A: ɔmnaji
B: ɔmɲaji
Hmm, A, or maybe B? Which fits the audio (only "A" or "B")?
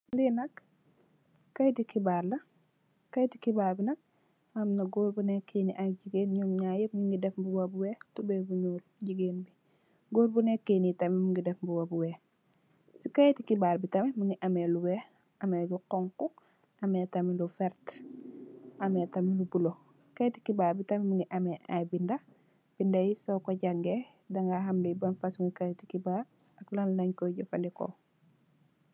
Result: B